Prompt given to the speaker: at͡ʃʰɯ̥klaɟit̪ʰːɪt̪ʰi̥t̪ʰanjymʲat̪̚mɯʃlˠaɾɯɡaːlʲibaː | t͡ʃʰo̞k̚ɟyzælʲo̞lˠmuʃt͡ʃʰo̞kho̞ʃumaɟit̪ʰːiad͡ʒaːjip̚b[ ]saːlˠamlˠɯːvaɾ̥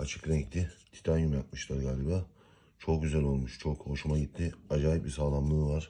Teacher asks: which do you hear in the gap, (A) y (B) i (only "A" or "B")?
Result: B